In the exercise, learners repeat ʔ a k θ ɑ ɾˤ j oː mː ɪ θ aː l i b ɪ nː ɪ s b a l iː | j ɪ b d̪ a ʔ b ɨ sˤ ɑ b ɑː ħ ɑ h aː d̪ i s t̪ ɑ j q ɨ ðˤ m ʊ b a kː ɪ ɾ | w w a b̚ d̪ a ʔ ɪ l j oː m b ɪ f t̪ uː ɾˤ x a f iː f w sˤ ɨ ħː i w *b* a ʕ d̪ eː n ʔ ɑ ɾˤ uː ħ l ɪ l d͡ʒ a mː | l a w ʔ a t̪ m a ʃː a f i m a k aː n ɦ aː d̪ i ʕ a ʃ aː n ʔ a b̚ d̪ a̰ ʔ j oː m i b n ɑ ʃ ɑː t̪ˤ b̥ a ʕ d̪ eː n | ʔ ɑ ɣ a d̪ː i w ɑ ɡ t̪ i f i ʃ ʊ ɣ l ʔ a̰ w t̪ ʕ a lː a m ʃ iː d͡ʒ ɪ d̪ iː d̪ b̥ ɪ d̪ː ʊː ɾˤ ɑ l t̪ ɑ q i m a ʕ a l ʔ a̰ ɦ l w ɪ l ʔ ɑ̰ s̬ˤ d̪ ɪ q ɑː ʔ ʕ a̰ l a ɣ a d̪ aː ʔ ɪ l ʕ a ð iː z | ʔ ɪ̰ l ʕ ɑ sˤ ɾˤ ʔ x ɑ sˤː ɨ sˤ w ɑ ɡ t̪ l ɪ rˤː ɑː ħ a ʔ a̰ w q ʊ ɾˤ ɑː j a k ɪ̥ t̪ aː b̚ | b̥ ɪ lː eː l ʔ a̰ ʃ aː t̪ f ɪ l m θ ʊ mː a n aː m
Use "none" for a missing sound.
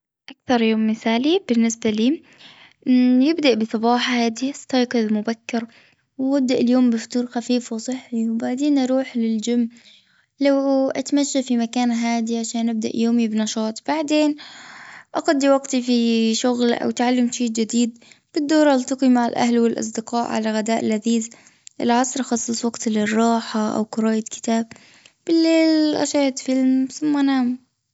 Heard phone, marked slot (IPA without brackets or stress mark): b